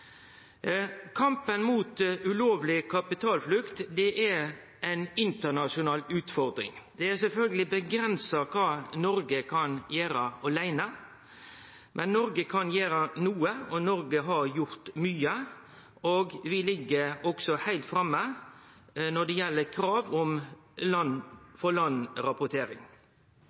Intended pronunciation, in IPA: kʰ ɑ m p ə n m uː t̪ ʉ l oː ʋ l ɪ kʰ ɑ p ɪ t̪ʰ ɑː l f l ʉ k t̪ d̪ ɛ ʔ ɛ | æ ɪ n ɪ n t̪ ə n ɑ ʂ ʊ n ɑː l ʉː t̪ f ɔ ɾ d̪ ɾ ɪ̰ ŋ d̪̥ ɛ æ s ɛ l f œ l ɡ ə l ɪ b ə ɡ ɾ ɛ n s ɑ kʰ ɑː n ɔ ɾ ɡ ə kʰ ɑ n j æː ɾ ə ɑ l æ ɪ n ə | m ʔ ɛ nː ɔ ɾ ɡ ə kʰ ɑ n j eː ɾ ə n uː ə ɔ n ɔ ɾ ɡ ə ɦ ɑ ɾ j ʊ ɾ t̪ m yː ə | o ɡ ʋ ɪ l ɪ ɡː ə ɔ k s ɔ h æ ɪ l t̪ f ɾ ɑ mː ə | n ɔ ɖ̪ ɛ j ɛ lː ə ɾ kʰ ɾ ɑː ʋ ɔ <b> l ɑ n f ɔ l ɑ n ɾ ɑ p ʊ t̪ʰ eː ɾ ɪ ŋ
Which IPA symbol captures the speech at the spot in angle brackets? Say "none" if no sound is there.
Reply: m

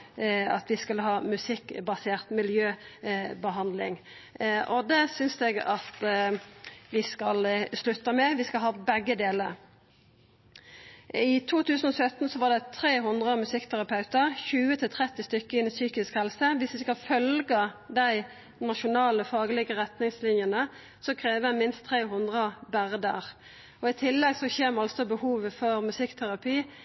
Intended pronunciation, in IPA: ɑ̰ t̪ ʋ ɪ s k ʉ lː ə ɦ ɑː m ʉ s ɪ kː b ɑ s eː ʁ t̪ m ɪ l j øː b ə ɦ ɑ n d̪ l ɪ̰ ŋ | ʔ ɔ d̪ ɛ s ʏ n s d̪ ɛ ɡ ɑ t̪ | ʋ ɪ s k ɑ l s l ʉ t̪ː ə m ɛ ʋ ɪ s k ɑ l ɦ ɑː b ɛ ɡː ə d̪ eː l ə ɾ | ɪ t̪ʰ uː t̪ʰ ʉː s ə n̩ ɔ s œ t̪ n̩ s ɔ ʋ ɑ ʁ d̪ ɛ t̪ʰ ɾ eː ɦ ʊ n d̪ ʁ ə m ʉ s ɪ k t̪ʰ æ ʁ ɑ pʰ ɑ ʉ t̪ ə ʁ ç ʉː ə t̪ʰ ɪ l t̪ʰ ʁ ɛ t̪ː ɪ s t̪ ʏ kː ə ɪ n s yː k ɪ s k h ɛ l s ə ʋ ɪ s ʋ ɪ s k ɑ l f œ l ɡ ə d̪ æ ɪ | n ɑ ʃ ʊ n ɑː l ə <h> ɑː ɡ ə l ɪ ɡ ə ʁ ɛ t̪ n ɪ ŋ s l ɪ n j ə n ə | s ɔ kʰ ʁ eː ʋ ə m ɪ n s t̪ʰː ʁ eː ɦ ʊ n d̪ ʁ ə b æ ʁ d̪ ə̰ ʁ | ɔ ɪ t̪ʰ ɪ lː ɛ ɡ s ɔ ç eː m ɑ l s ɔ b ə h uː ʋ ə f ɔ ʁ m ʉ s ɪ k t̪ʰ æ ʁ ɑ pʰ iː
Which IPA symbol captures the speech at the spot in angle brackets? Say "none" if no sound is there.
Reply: f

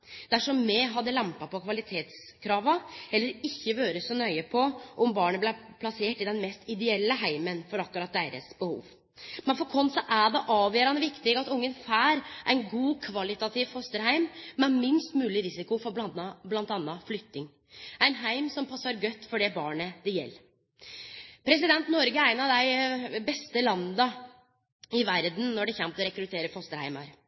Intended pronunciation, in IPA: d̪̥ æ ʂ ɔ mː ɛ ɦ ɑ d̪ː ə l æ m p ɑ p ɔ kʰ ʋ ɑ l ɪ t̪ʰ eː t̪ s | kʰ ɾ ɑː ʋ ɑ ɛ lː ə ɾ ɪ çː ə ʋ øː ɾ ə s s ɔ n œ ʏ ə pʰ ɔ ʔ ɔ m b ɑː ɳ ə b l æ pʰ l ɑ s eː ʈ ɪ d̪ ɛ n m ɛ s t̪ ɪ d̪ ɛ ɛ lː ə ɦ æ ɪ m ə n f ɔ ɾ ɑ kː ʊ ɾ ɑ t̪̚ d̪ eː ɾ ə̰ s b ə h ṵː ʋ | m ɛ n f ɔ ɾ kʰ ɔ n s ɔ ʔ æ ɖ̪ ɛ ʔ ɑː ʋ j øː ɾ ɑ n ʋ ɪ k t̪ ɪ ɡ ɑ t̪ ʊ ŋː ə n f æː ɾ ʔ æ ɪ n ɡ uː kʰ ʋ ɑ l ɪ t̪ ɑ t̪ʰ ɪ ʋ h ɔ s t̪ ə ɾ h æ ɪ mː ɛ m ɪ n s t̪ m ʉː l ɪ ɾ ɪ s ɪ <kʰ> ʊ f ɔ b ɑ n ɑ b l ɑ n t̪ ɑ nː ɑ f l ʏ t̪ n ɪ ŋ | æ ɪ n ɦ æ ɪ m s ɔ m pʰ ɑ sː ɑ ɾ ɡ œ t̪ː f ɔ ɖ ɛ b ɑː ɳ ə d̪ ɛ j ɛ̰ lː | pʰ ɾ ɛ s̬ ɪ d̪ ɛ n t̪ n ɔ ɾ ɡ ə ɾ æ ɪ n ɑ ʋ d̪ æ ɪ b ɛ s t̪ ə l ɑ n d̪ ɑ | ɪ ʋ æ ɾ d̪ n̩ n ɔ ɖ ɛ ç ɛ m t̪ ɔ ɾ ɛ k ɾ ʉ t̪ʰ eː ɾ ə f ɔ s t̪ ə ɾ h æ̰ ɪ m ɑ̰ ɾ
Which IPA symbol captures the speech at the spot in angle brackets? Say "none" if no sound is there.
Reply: k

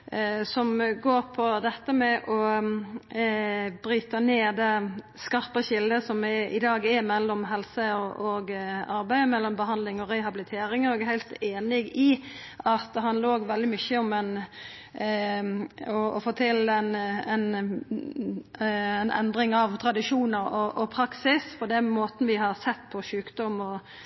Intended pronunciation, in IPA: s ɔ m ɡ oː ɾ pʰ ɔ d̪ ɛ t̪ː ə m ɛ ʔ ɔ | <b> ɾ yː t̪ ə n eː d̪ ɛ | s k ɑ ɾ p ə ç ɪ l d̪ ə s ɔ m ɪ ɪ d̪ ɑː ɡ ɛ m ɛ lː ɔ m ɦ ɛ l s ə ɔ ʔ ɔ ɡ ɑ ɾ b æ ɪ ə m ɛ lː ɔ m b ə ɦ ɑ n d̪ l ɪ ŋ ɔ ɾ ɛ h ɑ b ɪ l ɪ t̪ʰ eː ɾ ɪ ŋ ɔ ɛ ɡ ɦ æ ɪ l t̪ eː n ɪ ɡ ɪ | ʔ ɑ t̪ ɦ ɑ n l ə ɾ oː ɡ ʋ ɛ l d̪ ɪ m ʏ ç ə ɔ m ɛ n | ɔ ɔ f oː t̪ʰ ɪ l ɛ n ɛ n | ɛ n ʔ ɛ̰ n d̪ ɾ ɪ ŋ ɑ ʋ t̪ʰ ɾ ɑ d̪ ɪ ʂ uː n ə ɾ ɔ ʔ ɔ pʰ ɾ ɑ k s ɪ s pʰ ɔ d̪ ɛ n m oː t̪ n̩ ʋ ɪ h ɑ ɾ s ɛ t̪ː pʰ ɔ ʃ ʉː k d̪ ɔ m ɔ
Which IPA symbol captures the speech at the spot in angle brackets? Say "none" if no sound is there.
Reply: b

